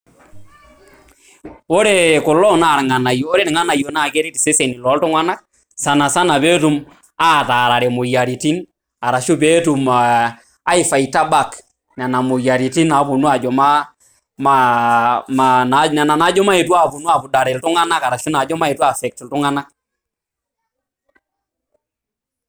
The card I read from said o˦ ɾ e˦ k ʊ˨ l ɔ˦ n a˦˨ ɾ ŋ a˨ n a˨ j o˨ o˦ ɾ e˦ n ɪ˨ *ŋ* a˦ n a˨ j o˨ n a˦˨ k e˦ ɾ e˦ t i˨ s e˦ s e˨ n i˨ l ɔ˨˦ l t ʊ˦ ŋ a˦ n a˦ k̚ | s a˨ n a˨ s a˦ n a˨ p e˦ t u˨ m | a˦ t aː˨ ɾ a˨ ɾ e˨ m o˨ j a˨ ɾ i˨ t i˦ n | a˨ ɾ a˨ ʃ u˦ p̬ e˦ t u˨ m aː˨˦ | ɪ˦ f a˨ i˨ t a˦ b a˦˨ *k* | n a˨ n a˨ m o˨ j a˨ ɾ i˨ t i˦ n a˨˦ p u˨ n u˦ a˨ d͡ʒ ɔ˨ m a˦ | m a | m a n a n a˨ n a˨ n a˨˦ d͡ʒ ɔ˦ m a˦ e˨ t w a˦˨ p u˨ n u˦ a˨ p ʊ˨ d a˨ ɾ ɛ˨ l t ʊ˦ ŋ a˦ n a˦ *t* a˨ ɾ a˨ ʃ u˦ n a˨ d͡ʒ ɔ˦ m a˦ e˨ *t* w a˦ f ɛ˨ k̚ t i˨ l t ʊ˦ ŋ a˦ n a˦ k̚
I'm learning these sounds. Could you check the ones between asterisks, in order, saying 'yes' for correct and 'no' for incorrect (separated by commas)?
yes, yes, no, yes